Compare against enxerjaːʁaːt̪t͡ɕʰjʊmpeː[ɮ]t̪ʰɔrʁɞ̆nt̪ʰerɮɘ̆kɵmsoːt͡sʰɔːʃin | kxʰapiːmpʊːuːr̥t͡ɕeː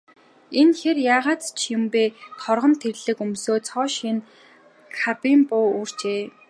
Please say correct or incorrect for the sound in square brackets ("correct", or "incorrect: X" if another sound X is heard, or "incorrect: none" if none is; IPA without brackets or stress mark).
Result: incorrect: none